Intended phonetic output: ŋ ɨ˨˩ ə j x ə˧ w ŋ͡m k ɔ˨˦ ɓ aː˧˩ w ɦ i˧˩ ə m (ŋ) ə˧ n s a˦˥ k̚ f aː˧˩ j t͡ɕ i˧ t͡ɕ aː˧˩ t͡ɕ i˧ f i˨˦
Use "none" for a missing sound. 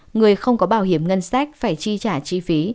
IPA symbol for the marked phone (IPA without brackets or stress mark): ŋ